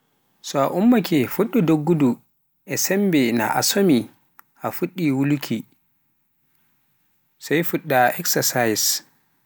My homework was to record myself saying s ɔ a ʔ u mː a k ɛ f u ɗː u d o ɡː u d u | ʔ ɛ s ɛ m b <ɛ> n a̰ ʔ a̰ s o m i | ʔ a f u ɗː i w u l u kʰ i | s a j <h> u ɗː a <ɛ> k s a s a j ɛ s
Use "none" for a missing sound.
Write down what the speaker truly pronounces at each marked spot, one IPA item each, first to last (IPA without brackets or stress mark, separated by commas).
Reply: ɛ, f, ɛ